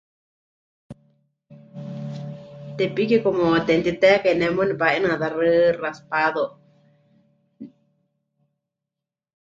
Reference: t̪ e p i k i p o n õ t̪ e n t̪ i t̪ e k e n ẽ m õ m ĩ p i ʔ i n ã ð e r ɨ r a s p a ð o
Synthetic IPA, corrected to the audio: t̪ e p i k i k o m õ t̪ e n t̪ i t̪ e k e n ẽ m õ n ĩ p a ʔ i n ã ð a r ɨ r a s p a ð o